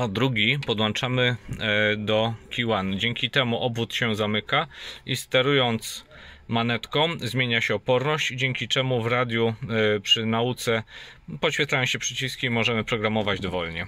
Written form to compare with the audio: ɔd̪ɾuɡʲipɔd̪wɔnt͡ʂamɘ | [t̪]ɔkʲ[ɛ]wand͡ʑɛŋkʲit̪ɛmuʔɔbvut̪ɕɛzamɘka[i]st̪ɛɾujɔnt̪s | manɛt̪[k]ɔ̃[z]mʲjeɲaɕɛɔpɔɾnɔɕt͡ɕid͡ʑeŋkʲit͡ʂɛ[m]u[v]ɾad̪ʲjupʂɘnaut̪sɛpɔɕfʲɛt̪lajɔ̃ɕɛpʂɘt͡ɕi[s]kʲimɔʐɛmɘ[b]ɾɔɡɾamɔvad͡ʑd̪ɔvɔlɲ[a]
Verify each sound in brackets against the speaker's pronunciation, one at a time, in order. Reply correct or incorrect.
incorrect, incorrect, correct, correct, correct, correct, correct, correct, incorrect, incorrect

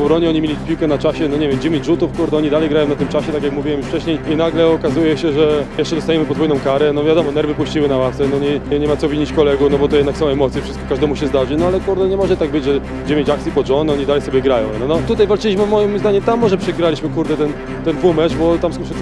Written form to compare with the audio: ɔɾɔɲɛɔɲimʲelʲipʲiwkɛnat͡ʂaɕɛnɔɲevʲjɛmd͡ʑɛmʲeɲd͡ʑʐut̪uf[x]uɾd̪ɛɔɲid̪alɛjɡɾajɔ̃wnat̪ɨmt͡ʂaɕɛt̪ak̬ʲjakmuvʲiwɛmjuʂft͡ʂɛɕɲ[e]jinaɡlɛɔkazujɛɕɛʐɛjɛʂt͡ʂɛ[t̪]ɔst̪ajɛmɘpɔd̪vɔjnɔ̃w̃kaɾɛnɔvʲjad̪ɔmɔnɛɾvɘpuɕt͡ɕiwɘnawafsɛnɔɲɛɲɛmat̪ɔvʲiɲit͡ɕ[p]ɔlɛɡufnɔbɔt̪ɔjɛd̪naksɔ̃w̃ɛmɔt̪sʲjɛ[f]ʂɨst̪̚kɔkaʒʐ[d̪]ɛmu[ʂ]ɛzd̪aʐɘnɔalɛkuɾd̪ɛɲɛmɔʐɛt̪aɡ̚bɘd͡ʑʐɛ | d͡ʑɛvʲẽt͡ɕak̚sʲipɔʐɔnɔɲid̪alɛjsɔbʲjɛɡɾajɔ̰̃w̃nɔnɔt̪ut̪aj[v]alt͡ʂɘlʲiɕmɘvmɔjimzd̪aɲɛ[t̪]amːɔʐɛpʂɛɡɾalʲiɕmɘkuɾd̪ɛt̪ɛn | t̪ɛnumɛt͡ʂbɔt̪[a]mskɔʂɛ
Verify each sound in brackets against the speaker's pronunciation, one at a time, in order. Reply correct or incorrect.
incorrect, correct, incorrect, incorrect, correct, correct, incorrect, correct, correct, correct

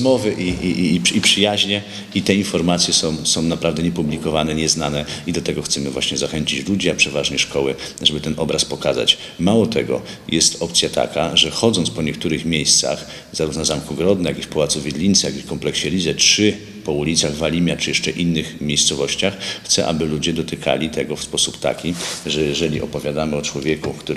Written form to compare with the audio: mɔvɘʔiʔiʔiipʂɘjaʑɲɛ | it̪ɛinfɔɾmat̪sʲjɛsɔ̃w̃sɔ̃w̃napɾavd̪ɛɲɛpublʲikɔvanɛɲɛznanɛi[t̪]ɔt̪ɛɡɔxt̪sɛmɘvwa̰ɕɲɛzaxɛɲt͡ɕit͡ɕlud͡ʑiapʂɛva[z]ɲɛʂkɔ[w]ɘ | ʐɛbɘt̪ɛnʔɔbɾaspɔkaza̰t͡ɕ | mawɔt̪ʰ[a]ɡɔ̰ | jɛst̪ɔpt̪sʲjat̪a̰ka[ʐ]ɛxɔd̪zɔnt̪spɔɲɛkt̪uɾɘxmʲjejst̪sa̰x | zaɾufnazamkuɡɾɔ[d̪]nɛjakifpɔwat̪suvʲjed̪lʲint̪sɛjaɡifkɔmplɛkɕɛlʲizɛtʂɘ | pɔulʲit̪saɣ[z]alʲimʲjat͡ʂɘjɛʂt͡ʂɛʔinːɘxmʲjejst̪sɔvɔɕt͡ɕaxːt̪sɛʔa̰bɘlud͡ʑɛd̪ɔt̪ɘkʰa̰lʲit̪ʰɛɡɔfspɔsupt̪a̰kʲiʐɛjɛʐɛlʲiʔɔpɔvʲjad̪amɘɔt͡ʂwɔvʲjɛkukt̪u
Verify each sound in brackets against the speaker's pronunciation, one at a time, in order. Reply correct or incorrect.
incorrect, incorrect, correct, incorrect, correct, correct, incorrect

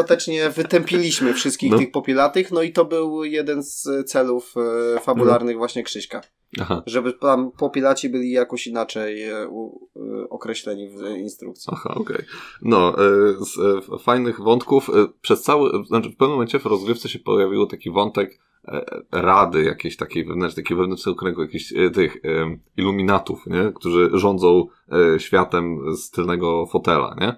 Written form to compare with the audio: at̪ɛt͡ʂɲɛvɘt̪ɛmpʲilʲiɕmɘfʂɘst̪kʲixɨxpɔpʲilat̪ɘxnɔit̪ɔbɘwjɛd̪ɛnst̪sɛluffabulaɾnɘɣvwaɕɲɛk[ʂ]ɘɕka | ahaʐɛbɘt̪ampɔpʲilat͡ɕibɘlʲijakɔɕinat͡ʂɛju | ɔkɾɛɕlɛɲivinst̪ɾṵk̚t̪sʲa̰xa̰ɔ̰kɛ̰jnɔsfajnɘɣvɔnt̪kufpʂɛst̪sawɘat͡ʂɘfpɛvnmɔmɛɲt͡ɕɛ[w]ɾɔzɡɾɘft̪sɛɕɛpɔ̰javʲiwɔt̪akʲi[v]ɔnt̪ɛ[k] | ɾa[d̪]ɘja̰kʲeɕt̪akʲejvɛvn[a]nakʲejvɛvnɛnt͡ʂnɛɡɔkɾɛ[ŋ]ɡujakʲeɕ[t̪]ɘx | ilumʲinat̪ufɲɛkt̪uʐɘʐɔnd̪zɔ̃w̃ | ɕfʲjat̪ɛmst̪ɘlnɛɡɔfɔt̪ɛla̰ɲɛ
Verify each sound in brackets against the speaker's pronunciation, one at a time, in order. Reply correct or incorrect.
correct, incorrect, correct, correct, correct, incorrect, correct, correct

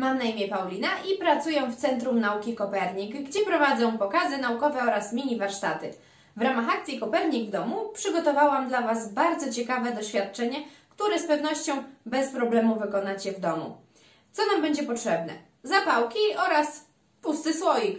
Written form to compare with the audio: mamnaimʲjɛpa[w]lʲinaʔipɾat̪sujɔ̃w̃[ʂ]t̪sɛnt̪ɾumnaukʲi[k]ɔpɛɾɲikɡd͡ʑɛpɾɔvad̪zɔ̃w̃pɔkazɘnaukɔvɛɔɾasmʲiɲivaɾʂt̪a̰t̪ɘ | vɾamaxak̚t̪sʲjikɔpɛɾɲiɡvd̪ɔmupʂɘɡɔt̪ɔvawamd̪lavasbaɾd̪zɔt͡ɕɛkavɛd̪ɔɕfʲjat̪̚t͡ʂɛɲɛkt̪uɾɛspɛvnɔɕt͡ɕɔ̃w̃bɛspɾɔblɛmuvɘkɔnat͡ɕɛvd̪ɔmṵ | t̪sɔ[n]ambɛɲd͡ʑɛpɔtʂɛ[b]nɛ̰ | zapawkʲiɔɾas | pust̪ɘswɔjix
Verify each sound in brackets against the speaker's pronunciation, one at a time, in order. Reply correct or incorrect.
correct, incorrect, correct, correct, correct

